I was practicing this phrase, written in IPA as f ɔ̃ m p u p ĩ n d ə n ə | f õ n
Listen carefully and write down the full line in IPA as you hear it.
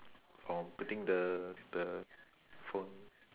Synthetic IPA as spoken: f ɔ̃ m p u t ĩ ŋ d ə d ə | f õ n